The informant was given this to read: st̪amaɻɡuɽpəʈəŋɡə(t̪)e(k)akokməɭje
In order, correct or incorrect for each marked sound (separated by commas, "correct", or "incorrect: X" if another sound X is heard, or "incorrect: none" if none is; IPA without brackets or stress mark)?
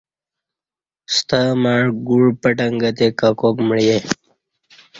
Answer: correct, correct